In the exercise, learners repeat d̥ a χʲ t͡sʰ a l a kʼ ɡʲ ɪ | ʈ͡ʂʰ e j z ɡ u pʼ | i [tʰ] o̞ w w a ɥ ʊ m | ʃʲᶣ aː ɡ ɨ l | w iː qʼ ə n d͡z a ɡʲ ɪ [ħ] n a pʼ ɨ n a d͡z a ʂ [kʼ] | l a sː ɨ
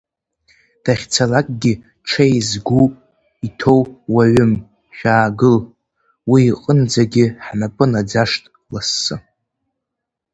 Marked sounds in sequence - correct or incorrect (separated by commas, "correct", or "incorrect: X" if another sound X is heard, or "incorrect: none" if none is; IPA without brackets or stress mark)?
correct, correct, incorrect: tʼ